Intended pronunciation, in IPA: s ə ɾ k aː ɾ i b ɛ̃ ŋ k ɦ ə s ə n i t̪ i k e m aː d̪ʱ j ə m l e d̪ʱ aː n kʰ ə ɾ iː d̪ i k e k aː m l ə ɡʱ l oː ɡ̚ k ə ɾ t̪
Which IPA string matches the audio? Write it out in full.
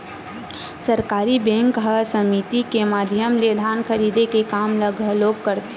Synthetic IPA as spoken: s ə ɾ k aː ɾ i b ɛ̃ ŋ k ɦ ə s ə m i t̪ i k e m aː d̪ʱ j ə m l e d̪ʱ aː n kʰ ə ɾ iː d̪ e k e k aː m l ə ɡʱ l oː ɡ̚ k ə ɾ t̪